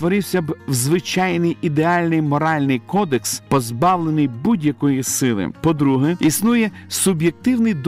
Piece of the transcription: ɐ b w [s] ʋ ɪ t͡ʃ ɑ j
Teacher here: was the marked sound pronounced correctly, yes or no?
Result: no